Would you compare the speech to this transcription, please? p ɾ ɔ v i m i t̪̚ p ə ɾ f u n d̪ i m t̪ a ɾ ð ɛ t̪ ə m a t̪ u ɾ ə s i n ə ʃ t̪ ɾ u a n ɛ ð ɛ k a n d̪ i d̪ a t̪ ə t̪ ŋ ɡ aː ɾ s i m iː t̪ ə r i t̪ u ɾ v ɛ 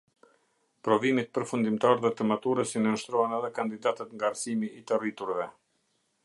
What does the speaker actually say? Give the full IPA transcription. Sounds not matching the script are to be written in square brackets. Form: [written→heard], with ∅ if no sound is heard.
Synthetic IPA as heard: p ɾ ɔ v i m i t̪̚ p ə ɾ f u n d̪ i m t̪ a ɾ ð ɛ t̪ ə m a t̪ u ɾ ə s i n ə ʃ t̪ ɾ [u→ɔ] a n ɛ ð ɛ k a n d̪ i d̪ a t̪ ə t̪ ŋ ɡ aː ɾ s i m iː t̪ ə r i t̪ u ɾ v ɛ